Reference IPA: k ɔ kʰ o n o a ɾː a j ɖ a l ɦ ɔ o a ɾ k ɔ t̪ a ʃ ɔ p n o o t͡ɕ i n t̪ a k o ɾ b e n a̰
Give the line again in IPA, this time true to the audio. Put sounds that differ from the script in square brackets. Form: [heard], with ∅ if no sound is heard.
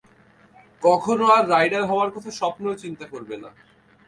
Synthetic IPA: k ɔ kʰ o n o a ɾː a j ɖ a [ɾ] ɦ ɔ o a ɾ k ɔ [t̪ʰ] a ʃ ɔ p n o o t͡ɕ i n t̪ a k o ɾ b e n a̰